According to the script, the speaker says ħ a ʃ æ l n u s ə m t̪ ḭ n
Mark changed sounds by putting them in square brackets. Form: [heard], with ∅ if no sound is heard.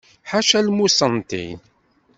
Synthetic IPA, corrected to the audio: ħ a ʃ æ l [m] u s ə [n] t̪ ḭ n